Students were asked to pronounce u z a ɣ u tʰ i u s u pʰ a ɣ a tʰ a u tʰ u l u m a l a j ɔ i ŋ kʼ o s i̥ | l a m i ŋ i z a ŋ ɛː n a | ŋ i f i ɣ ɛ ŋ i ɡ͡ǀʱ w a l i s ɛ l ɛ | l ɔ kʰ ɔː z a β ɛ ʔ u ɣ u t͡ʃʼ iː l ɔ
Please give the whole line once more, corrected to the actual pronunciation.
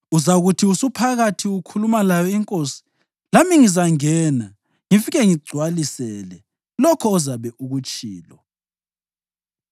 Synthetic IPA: u z a ɣ u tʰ i u s u pʰ a ɣ a tʰ i u kʰ u l u m a l a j ɔ i ŋ kʼ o s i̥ | l a m i ŋ i z a ŋ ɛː n a | ŋ i f i ɣ ɛ ŋ i ɡ͡ǀʱ w a l i s ɛ l ɛ | l ɔ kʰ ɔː z a β ɛ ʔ u ɣ u t͡ʃʼ iː l ɔ